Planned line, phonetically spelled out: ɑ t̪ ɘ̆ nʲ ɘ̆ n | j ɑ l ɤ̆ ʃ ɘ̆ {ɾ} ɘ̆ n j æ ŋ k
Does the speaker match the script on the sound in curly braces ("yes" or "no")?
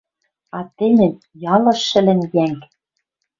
no